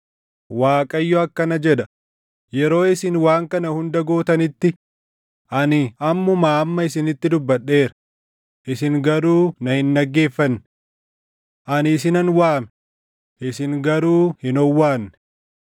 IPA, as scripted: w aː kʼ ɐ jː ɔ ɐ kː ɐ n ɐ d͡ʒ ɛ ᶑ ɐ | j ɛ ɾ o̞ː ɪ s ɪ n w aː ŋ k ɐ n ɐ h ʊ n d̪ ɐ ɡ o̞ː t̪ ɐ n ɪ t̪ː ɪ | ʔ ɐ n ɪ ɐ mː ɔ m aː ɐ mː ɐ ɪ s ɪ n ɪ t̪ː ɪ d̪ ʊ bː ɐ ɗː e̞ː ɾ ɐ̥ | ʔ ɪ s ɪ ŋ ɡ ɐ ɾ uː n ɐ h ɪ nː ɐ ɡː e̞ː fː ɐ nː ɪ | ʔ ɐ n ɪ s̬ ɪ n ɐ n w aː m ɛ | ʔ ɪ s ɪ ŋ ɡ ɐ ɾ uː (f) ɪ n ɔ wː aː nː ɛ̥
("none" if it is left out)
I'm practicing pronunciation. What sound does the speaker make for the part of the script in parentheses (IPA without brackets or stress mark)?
h